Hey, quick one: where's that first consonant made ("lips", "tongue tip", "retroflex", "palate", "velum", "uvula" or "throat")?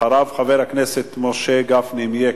tongue tip